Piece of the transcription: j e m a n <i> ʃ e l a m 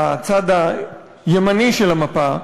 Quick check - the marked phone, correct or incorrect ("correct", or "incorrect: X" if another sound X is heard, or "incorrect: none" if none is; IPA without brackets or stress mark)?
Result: correct